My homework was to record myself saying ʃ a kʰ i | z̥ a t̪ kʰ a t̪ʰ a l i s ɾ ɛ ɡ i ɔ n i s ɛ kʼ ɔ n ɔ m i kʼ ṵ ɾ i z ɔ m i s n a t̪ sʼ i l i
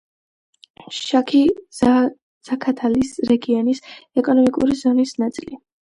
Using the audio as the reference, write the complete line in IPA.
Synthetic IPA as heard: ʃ a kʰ i | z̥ a kʰ a t̪ʰ a l i s ɾ ɛ ɡ i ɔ n i s ɛ kʼ ɔ n ɔ m i kʼ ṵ ɾ i z ɔ n i s n a t̪ sʼ i l i